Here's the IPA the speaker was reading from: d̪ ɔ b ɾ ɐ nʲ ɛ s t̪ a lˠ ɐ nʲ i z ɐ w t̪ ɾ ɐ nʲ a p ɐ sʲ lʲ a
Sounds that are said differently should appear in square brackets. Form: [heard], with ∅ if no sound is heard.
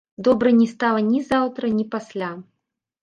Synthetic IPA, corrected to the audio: d̪ ɔ b ɾ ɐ nʲ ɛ s t̪ a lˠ ɐ nʲ i z [a] w t̪ ɾ ɐ nʲ [i] p [a] sʲ lʲ a